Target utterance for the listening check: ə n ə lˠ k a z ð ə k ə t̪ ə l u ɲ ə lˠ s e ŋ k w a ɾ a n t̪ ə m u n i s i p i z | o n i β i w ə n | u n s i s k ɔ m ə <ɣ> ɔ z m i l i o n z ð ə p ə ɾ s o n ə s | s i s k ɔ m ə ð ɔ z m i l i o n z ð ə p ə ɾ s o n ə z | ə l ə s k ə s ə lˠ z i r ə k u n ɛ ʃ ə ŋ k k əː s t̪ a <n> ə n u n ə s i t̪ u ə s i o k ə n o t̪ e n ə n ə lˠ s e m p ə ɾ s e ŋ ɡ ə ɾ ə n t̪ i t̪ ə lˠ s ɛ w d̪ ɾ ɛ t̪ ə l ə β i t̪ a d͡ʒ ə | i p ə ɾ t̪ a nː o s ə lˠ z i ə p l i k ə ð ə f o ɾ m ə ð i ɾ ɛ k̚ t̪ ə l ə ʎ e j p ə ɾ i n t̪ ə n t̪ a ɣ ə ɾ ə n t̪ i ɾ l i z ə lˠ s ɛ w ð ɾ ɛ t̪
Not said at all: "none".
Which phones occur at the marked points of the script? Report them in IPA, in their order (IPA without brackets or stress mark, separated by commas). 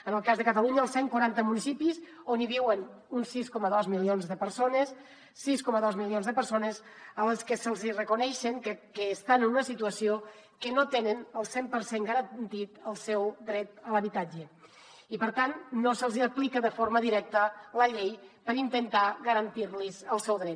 ð, n